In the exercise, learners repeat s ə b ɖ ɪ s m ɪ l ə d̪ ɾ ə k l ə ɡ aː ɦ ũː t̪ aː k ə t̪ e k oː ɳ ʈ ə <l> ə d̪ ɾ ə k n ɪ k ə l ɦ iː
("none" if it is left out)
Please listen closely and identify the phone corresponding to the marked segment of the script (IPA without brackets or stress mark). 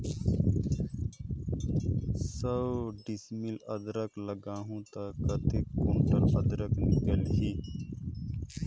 ɾ